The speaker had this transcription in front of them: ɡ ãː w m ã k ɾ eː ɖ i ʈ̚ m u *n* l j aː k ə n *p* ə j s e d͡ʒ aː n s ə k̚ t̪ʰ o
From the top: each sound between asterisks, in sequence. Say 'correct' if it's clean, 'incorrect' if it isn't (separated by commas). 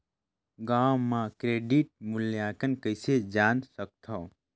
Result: incorrect, incorrect